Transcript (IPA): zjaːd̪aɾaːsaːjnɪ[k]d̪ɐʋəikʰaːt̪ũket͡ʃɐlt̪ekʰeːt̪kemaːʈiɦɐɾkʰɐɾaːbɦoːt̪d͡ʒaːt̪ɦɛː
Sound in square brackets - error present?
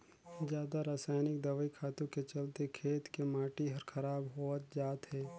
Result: no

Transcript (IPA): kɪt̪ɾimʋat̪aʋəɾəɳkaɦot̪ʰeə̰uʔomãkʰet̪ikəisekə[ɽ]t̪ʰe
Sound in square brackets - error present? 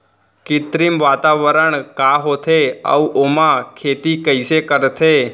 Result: yes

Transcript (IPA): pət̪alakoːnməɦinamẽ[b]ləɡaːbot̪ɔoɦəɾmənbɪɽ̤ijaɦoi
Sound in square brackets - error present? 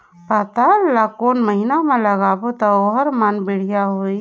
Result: yes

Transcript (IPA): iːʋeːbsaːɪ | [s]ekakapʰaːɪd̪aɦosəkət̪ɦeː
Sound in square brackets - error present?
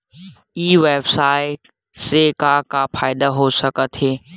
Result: no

